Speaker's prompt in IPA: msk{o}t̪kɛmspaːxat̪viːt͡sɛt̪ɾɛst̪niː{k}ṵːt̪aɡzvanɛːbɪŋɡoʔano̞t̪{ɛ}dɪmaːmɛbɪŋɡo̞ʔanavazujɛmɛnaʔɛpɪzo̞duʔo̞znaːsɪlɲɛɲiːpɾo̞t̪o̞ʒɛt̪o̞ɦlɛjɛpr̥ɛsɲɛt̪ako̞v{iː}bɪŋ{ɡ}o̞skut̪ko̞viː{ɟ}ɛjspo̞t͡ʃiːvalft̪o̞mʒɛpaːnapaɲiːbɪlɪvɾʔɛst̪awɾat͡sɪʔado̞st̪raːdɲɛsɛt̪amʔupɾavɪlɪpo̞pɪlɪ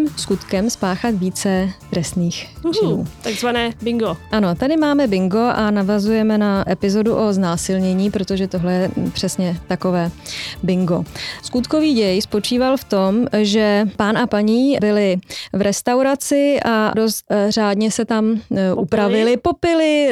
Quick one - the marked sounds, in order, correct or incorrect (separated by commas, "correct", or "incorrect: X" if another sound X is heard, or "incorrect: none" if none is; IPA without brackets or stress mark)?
incorrect: u, incorrect: x, incorrect: a, incorrect: ɛː, correct, correct